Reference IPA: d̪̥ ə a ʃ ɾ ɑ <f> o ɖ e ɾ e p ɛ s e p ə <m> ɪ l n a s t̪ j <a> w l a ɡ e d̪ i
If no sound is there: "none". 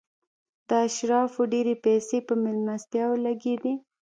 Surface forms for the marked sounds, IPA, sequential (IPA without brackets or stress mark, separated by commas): f, m, ɑ